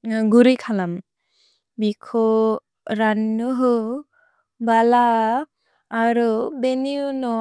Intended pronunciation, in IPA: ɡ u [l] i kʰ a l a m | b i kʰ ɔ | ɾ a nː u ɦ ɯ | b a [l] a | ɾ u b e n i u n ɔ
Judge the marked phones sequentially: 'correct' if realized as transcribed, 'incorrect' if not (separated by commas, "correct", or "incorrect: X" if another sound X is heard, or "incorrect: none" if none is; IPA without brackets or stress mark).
incorrect: ɾ, correct